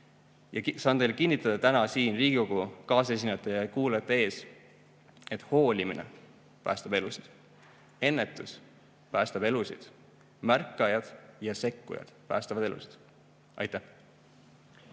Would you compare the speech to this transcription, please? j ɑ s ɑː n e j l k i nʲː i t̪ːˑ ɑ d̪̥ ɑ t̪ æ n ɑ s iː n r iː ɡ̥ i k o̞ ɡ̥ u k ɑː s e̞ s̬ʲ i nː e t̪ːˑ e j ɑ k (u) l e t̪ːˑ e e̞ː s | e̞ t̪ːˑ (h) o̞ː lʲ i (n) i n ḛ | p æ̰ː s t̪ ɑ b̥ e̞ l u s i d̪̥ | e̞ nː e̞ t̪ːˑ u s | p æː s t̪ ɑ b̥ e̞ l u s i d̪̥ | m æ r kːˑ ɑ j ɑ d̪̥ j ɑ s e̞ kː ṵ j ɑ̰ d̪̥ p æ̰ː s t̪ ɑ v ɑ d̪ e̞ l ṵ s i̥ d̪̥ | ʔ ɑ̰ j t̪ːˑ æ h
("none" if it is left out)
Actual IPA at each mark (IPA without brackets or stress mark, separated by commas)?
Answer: uː, h, m